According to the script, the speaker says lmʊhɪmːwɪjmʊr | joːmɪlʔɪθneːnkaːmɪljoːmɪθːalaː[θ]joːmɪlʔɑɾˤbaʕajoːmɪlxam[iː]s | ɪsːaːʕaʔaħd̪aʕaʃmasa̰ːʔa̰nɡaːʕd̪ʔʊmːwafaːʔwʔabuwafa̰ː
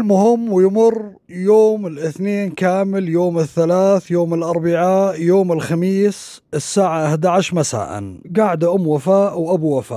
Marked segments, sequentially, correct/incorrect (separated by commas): correct, correct